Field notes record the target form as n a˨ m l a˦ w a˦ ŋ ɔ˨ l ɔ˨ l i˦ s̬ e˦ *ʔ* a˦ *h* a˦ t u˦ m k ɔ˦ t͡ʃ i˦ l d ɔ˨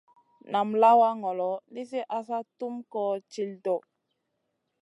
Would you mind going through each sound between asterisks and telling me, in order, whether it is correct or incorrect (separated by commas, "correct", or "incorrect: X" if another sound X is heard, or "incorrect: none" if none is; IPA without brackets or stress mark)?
correct, incorrect: s